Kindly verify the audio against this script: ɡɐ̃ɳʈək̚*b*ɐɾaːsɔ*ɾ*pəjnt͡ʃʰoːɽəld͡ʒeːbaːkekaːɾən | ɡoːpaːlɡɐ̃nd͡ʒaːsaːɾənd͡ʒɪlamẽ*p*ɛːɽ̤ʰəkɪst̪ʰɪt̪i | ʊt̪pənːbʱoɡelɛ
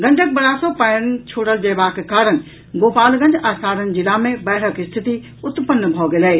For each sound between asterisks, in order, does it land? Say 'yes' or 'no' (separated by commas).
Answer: yes, no, no